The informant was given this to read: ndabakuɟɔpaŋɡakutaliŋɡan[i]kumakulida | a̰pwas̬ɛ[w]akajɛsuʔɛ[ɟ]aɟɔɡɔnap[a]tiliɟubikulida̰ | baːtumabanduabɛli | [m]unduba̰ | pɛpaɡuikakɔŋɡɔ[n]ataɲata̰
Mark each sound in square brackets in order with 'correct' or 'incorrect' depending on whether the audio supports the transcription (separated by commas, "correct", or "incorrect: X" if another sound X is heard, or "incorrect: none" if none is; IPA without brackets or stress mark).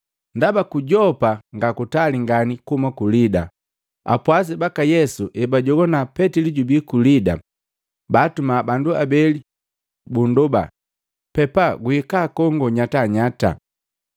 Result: correct, incorrect: b, incorrect: b, incorrect: ɛ, incorrect: b, incorrect: ɲ